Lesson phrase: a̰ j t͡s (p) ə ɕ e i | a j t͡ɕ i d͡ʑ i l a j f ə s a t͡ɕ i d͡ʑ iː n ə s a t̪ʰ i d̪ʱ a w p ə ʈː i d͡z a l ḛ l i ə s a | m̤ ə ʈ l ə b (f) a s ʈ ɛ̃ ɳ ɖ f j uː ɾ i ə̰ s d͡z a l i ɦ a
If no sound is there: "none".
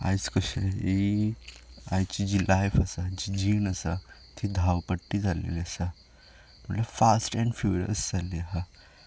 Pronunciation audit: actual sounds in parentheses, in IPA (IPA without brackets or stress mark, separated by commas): k, f